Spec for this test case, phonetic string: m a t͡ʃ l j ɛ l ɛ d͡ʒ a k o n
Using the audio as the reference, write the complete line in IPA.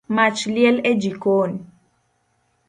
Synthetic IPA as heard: m a t͡ʃ l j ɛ l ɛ d͡ʒ i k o n